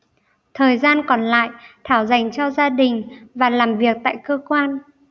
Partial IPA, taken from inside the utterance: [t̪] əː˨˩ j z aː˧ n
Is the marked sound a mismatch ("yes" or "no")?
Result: yes